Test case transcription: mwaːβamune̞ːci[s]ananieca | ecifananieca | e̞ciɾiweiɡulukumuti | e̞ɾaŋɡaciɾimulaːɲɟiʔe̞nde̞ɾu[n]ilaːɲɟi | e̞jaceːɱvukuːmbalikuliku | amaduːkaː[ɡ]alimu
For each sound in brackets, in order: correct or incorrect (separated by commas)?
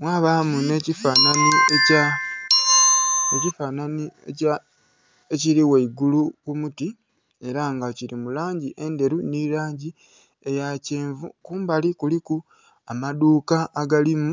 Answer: incorrect, correct, correct